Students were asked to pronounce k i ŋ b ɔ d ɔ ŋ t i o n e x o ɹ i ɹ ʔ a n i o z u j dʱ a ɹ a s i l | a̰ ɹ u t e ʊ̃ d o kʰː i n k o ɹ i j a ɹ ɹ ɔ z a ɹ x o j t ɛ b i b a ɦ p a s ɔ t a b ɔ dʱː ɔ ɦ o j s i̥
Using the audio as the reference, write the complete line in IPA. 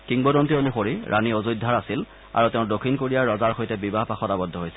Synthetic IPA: k i ŋ b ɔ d ɔ n t i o n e x o ɹ i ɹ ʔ a n i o z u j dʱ a ɹ a s i l | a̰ ɹ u t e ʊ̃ d o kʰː i n k o ɹ i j a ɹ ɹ ɔ z a ɹ x o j t ɛ b i b a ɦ p a x ɔ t a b ɔ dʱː ɔ ɦ o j s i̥